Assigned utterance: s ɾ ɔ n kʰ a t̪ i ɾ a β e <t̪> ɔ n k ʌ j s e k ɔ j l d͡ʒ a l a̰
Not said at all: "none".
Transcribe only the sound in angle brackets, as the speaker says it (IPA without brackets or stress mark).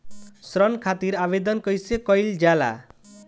d̪